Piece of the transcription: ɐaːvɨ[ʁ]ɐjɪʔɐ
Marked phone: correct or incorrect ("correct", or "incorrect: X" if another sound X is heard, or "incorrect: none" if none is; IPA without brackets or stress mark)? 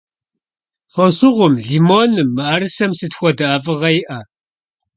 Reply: correct